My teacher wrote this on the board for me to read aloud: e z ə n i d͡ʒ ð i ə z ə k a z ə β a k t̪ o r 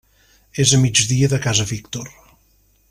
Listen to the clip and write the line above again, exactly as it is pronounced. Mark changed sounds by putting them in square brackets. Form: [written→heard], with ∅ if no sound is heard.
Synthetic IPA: e z ə [n→m] i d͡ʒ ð i ə [z→ð] ə k a z ə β [a→i] k t̪ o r